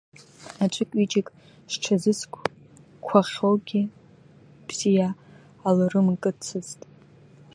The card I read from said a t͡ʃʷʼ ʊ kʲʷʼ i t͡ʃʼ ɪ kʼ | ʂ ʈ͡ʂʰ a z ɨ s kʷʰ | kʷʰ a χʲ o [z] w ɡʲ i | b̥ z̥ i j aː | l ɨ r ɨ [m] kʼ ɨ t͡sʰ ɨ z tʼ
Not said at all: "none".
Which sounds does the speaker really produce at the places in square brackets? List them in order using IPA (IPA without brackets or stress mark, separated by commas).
none, m